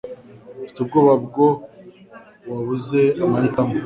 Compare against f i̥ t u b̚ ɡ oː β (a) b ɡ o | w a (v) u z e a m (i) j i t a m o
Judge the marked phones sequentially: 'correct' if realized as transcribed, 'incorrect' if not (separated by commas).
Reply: correct, incorrect, incorrect